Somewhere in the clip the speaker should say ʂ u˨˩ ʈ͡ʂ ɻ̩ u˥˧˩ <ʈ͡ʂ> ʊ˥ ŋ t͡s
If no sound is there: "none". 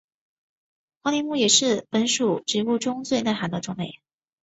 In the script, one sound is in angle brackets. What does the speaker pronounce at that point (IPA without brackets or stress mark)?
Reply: ʈ͡ʂ